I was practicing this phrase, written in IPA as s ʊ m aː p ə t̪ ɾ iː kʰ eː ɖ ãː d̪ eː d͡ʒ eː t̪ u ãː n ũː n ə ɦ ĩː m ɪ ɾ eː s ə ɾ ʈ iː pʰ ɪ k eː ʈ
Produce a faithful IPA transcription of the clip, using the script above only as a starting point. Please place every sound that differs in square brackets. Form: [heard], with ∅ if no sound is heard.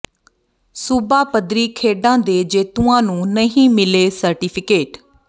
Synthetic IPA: s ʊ [b] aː p ə [d̪] ɾ iː kʰ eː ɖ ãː d̪ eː d͡ʒ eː t̪ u ãː n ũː n ə ɦ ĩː m ɪ [l] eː s ə ɾ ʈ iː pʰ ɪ k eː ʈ